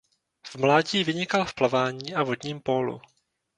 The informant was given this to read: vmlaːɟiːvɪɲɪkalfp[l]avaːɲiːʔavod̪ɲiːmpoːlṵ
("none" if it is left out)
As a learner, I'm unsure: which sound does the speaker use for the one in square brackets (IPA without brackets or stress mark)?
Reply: l